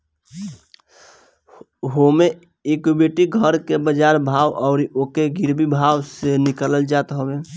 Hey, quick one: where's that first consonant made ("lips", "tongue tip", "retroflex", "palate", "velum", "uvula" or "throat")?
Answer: throat